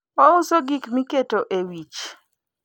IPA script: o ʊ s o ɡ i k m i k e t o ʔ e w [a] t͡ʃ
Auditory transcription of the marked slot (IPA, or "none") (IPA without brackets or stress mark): i